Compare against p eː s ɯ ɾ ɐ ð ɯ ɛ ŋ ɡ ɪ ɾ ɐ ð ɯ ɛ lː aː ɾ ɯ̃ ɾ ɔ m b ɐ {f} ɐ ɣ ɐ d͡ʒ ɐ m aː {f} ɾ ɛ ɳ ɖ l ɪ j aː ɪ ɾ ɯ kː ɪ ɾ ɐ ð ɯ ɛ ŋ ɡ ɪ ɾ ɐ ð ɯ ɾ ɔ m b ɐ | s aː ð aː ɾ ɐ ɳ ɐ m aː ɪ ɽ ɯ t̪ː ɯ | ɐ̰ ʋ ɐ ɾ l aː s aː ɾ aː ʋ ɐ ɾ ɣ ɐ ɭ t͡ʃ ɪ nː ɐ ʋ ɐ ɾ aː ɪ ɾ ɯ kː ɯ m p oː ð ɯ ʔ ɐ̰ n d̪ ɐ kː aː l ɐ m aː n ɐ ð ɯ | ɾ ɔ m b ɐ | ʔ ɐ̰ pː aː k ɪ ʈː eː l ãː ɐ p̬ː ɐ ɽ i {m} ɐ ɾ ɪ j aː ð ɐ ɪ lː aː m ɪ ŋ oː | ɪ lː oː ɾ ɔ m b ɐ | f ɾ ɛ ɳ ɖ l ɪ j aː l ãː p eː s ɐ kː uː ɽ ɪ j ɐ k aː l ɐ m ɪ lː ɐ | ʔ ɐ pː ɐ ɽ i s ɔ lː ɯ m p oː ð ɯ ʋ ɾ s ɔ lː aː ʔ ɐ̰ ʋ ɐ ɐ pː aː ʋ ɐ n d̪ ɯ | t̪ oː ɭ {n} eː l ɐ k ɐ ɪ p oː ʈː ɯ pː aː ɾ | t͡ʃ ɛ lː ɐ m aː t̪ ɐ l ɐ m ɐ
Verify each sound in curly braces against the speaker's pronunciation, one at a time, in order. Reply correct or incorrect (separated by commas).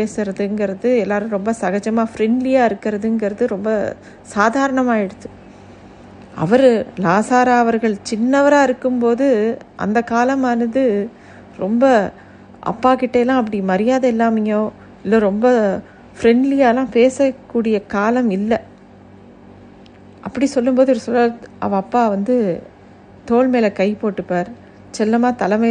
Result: incorrect, correct, correct, incorrect